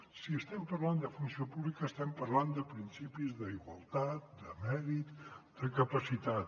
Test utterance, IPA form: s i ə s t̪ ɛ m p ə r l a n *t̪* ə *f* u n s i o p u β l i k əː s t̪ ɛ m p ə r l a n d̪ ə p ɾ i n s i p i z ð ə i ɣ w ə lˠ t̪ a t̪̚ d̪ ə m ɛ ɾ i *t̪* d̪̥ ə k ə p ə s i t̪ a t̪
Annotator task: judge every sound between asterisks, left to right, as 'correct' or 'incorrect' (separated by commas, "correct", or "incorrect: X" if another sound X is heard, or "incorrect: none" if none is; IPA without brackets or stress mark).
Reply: incorrect: d̪, correct, correct